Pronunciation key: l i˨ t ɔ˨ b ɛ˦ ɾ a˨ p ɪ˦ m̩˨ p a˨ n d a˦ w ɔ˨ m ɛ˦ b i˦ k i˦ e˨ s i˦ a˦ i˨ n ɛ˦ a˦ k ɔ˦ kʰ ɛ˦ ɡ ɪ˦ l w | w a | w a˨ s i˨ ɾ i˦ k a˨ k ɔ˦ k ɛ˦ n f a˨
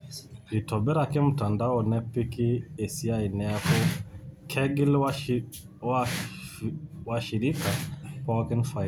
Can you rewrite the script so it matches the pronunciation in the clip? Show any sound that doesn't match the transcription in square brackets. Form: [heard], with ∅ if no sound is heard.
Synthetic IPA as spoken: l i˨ t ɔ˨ b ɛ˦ ɾ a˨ [k] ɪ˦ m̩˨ [t] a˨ n d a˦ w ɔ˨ [n] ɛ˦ [p] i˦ k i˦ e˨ s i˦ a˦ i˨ n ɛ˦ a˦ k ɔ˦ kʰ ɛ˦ ɡ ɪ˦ l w | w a | w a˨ [ʃ] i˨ ɾ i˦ k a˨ [p] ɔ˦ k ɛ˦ n f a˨